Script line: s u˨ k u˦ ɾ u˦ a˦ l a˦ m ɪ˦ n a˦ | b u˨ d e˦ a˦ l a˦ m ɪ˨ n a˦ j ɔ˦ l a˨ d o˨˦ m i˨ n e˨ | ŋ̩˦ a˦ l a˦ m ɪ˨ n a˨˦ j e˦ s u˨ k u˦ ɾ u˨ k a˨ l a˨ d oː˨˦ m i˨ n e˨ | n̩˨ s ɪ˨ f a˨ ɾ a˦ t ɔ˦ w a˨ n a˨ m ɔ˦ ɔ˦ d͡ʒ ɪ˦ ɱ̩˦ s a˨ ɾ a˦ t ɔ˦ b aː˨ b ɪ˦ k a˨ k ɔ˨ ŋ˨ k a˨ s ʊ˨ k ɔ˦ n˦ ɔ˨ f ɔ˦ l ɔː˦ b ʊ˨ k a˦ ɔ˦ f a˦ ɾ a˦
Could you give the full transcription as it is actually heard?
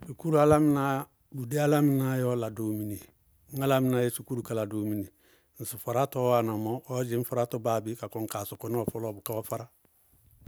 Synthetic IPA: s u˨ k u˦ ɾ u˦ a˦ l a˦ m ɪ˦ n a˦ | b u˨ d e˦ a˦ l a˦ m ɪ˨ n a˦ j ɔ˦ l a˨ d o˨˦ m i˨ n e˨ | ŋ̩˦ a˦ l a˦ m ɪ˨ n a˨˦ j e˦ s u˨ k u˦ ɾ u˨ k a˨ l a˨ d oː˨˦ m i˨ n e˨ | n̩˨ s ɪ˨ f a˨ ɾ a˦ t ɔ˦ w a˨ n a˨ m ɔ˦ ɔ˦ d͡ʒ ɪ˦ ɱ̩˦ f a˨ ɾ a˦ t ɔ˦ b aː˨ b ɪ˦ k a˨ k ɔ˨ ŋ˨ k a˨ s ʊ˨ k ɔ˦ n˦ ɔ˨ f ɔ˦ l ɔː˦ b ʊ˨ k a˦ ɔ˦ f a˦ ɾ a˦

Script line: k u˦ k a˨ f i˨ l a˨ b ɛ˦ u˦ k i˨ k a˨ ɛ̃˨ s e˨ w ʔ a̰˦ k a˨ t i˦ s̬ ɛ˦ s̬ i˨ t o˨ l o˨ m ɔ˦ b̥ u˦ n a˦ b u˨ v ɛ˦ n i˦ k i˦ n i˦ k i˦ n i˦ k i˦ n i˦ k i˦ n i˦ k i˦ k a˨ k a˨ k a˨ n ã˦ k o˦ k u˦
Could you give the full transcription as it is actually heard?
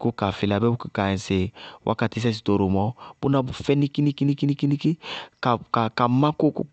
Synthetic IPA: k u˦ k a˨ f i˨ l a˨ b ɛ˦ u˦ k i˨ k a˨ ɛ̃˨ s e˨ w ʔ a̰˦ k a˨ t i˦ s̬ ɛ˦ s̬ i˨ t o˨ ɾ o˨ m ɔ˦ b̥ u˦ n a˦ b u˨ f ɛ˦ n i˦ k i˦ n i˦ k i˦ n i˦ k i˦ n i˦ k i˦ n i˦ k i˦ k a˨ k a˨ k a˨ m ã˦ k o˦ k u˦

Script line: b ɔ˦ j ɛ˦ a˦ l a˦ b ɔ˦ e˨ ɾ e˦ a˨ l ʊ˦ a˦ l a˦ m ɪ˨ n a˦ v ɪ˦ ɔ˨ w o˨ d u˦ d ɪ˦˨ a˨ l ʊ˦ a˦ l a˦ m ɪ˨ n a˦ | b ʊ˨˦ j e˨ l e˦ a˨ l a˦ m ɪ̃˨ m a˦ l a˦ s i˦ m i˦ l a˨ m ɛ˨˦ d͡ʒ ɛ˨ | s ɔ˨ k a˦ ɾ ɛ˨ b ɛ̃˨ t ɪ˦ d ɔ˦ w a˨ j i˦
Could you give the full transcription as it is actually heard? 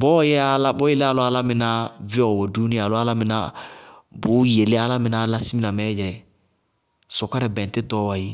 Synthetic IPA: b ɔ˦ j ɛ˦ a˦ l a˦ b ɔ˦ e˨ l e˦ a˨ l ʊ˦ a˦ l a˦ m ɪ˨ n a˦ v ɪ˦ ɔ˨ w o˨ d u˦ n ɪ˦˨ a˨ l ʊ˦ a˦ l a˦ m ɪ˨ n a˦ | b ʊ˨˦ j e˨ l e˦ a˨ l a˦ m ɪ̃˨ n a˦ l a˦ s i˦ m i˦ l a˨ m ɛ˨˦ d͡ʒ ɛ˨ | s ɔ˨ k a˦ ɾ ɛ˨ b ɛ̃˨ t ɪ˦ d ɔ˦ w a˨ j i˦

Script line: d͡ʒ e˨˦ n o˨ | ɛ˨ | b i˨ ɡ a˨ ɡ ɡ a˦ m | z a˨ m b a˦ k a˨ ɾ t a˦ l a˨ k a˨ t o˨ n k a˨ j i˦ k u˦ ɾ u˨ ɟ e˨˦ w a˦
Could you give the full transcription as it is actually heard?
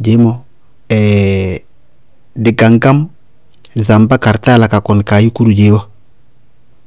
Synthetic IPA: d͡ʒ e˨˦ m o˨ | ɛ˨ | d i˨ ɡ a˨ ŋ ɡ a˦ m | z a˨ m b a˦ k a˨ ɾ t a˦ l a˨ k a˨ k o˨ n k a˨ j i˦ k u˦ ɾ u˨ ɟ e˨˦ w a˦

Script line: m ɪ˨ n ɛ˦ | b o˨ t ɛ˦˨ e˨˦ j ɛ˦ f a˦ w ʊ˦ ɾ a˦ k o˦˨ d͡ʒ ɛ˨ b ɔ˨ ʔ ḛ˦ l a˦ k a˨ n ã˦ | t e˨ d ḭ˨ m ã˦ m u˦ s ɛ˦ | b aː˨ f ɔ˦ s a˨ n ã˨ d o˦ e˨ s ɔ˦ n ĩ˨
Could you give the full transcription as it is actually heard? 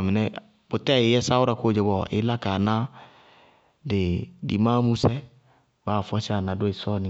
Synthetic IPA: m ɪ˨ n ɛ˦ | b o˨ t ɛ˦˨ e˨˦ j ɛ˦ s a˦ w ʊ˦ ɾ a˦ k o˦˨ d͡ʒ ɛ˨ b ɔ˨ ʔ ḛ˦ l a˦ k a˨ n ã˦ | d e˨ d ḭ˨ m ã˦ m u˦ s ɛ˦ | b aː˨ f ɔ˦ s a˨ n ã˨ d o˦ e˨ s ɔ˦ n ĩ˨

